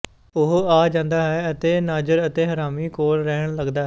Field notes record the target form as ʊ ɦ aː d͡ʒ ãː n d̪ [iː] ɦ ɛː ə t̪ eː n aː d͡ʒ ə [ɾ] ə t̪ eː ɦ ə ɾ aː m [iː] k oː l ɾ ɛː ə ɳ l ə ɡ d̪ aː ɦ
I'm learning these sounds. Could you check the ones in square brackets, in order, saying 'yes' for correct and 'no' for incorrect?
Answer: no, yes, yes

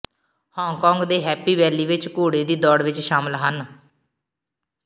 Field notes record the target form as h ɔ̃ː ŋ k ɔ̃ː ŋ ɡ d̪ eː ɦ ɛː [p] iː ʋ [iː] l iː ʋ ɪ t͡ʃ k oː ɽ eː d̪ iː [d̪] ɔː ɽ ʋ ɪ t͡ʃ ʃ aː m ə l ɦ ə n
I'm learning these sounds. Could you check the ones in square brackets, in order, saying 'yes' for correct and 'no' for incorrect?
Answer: yes, no, yes

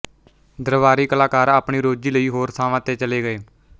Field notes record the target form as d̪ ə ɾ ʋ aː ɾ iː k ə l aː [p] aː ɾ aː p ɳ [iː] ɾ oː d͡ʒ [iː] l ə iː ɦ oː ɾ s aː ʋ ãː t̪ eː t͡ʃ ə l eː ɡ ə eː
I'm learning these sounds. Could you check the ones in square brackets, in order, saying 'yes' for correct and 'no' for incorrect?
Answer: no, yes, yes

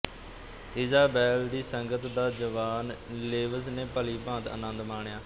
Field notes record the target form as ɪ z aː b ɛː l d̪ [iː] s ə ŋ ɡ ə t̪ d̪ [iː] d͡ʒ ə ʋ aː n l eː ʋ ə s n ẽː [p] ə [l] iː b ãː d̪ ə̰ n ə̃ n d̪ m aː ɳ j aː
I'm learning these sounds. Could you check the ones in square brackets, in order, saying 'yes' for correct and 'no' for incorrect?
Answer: yes, no, yes, yes

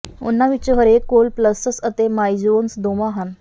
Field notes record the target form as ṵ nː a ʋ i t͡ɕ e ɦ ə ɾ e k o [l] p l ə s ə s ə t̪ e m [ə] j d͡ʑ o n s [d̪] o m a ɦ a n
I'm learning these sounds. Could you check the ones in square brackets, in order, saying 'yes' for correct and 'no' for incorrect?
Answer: yes, no, yes

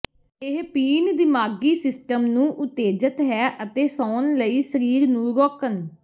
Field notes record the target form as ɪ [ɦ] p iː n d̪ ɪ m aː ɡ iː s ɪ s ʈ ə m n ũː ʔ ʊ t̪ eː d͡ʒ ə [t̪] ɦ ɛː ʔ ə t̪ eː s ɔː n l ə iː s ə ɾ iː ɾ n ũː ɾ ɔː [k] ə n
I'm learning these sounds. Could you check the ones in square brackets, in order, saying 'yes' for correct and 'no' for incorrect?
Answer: yes, yes, yes

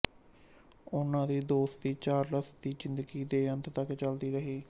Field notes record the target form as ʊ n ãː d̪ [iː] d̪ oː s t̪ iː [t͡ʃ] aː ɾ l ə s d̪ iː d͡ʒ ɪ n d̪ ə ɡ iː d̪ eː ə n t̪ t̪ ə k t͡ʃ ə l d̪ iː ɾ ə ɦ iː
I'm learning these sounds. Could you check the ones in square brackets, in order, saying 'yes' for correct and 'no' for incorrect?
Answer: yes, yes

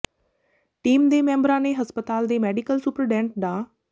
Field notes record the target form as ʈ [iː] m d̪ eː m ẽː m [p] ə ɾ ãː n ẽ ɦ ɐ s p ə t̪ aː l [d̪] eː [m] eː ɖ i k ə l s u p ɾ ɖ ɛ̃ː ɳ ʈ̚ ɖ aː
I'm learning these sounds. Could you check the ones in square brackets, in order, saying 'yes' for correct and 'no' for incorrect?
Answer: yes, no, yes, yes

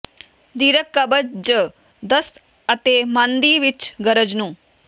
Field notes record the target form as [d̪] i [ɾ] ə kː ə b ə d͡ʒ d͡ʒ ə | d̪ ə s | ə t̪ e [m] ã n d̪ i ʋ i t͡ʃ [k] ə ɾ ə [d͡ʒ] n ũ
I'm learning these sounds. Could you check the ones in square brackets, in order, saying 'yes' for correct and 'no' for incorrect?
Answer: yes, yes, yes, no, yes

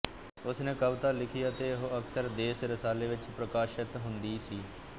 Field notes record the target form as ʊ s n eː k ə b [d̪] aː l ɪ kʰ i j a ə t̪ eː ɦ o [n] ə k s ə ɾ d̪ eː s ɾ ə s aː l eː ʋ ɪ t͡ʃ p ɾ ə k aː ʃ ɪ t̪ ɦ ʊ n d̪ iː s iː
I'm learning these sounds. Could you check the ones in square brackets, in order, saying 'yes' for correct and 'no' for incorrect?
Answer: no, no

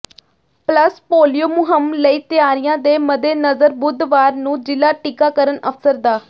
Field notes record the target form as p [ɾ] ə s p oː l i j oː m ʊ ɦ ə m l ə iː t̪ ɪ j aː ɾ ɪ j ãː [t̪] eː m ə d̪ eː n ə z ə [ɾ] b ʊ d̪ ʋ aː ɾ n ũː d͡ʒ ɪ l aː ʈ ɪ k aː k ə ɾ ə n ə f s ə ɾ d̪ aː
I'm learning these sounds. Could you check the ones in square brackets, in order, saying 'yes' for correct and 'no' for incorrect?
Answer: no, no, yes

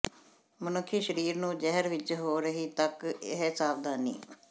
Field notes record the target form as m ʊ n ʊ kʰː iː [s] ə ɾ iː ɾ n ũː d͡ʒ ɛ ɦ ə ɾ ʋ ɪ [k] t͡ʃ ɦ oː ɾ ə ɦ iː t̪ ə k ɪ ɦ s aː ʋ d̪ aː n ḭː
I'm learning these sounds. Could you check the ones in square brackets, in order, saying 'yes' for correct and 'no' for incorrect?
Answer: no, no

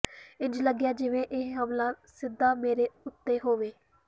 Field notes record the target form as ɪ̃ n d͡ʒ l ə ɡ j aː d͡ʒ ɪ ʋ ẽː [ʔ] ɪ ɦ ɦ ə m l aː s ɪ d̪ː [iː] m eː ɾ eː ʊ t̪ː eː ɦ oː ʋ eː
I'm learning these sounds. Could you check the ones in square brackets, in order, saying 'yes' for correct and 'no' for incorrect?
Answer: yes, no

